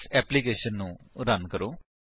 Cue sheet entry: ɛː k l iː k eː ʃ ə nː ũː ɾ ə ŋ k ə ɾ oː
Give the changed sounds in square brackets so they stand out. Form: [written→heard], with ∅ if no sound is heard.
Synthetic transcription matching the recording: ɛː [k→p] l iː k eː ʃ ə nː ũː ɾ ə [ŋ→n] k ə ɾ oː

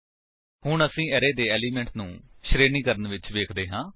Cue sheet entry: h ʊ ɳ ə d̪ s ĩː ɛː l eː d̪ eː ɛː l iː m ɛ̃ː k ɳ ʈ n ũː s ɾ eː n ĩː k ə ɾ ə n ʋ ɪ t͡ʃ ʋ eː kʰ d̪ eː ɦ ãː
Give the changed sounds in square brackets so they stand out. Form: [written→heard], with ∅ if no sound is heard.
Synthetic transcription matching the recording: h ʊ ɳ ə [d̪→∅] s ĩː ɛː [l→ɾ] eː d̪ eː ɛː l iː m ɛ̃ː [k→∅] ɳ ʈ n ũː [s→ʃ] ɾ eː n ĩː k ə ɾ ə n ʋ ɪ t͡ʃ ʋ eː kʰ d̪ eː ɦ ãː

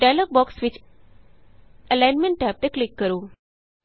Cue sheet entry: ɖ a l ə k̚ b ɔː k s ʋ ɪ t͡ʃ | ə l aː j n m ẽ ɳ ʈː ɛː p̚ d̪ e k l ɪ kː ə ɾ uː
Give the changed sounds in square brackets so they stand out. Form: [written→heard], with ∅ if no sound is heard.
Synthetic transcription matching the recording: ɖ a l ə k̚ b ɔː k s ʋ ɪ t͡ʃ | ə l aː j n m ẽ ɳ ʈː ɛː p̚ [d̪→t̪] e k l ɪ kː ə ɾ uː

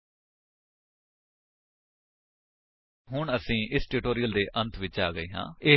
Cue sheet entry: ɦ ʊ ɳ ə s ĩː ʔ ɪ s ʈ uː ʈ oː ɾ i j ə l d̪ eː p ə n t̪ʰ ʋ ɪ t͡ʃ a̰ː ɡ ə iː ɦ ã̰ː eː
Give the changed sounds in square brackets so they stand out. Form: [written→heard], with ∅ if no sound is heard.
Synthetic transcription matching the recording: ɦ ʊ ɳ ə s ĩː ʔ ɪ s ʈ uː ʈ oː ɾ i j ə l d̪ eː [p→ʔ] ə n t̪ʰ ʋ ɪ t͡ʃ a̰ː ɡ ə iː ɦ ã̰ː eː

